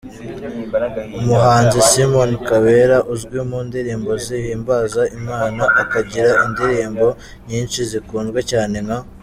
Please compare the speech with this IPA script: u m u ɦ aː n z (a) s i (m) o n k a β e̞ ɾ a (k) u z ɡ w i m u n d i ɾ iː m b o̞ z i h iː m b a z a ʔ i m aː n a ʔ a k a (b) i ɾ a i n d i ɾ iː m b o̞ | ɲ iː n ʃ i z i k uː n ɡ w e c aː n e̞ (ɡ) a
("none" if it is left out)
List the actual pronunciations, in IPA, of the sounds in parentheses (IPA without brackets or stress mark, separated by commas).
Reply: i, m, ʔ, ɟ, ŋ